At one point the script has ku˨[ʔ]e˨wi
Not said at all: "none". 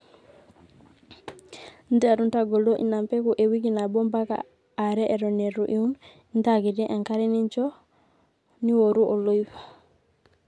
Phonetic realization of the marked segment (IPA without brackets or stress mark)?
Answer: ʔ